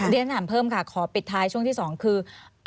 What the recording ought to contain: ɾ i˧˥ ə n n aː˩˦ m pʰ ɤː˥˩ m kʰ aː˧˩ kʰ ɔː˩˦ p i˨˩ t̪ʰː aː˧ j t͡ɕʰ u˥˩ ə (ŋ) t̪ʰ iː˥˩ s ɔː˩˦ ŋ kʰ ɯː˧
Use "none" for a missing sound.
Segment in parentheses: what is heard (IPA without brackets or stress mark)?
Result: ŋ